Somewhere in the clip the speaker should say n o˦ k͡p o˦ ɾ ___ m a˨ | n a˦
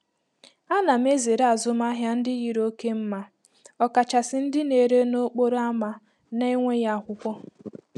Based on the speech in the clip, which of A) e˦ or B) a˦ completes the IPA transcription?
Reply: B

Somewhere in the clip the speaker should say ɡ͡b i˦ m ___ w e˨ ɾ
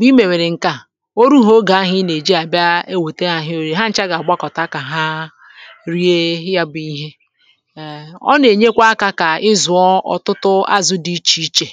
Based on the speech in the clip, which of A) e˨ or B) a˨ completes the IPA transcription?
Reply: A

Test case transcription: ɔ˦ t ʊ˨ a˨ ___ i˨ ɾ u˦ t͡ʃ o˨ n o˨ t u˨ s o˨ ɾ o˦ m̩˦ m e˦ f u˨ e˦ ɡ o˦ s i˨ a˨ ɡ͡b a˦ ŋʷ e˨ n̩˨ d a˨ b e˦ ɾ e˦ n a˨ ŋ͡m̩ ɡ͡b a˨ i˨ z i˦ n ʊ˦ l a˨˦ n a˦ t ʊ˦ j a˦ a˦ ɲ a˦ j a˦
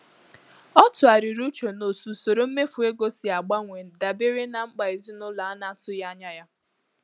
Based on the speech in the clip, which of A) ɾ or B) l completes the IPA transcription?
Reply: A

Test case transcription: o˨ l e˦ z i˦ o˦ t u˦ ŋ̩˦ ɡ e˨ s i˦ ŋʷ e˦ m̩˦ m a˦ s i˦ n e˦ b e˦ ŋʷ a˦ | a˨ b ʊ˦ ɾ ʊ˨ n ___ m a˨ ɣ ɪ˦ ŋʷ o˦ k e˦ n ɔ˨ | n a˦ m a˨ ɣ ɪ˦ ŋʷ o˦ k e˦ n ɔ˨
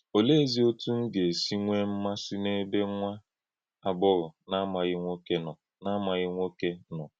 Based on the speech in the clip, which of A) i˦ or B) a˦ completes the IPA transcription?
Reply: B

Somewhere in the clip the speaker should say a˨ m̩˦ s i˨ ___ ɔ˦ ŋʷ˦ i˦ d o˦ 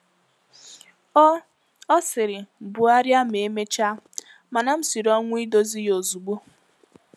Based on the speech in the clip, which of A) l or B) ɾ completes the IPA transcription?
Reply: B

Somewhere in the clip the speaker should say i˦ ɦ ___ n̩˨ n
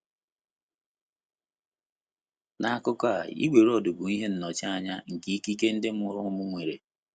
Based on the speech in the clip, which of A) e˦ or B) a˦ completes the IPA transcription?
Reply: A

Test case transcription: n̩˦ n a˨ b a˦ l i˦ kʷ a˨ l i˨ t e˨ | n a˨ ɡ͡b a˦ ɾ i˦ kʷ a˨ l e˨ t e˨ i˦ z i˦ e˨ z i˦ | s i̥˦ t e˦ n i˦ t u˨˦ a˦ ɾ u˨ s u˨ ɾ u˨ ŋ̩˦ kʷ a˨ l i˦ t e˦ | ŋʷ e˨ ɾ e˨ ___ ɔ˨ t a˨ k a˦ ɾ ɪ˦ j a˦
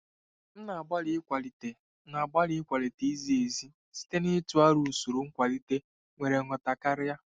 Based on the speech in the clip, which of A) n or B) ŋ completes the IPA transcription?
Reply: B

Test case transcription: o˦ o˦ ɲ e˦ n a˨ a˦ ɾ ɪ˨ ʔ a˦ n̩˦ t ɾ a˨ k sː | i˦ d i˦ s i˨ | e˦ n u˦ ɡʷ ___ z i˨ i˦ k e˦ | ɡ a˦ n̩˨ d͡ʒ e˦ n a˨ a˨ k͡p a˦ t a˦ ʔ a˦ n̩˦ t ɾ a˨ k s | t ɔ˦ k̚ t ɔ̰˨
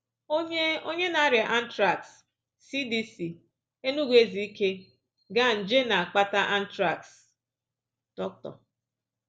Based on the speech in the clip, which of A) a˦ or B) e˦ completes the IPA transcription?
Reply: B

